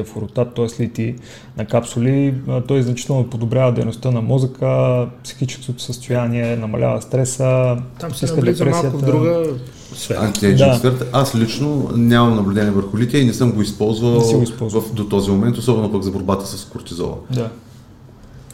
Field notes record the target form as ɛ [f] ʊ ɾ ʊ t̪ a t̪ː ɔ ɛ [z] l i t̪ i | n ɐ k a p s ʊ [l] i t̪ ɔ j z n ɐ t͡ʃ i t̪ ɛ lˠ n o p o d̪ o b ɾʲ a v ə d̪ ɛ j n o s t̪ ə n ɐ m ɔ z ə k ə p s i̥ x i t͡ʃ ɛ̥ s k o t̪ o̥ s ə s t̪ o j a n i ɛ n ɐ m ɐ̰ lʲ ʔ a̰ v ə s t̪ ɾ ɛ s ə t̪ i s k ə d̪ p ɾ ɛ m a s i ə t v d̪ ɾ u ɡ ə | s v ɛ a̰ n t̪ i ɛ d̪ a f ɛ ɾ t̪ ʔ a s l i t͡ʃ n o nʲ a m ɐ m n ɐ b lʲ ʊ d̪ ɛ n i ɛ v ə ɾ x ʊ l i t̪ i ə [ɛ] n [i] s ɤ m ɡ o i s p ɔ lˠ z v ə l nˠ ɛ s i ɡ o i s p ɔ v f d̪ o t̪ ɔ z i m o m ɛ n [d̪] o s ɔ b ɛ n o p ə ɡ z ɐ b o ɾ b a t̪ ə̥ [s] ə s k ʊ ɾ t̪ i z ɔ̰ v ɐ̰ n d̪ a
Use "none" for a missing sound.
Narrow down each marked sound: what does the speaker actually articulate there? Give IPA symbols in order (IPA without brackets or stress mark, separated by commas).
f, s, l, i, ɛ, t̪, s